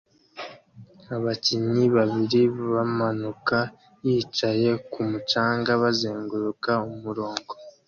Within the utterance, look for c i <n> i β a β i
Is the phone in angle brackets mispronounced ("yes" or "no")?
yes